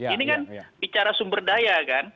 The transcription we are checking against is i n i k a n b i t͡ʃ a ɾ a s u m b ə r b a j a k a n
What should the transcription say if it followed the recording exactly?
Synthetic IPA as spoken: i n i k a n b i t͡ʃ a ɾ a s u m b ə r d a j a k a n